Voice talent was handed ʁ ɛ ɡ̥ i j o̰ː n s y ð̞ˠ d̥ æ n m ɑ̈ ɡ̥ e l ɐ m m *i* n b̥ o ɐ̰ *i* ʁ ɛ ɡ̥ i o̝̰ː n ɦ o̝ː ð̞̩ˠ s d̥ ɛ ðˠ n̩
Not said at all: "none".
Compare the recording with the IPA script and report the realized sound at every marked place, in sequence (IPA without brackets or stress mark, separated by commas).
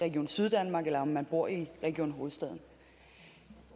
æ, i